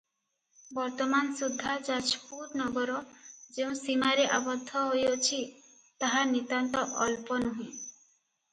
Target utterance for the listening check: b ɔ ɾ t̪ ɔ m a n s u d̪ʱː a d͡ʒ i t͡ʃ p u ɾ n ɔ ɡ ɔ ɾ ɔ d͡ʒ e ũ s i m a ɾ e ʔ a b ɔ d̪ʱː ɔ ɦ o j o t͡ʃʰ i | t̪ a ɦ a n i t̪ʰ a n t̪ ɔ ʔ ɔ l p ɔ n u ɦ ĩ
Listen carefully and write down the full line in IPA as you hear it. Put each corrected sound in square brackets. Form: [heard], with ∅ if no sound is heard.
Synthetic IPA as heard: b ɔ ɾ t̪ ɔ m a n s u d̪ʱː a d͡ʒ [a] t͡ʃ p u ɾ n ɔ ɡ ɔ ɾ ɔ d͡ʒ e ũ s i m a ɾ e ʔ a b ɔ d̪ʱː ɔ ɦ o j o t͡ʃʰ i | t̪ a ɦ a n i [t̪] a n t̪ ɔ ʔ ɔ l p ɔ n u ɦ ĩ